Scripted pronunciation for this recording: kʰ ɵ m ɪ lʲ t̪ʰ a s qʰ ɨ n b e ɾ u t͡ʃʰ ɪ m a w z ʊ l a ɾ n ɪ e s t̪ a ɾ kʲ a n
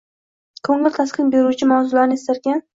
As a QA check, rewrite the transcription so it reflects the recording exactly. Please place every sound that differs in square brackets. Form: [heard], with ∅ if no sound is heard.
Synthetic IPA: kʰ ɵ [ŋ] ɪ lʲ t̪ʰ a s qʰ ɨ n b e ɾ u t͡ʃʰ ɪ m a w z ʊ l a ɾ n ɪ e s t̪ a ɾ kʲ a n